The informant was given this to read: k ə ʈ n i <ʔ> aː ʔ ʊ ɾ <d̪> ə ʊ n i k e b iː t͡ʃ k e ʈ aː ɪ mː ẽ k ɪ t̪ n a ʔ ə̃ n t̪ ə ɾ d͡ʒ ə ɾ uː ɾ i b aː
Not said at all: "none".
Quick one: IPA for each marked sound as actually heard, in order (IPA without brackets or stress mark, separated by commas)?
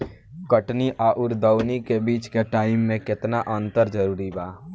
ʔ, d̪